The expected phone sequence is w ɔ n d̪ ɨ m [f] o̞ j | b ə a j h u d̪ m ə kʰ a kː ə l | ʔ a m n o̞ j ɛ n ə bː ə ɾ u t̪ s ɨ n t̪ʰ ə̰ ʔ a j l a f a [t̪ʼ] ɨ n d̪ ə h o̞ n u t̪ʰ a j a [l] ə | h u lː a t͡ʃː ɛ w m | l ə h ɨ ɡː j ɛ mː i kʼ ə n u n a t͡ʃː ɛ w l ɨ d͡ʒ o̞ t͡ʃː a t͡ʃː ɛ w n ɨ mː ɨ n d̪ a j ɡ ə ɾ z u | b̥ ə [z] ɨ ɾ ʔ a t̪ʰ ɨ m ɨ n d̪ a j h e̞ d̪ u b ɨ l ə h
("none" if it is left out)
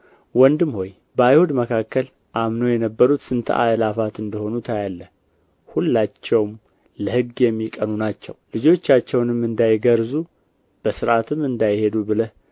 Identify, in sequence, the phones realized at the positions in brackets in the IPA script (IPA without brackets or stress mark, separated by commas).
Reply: h, t̪, lː, s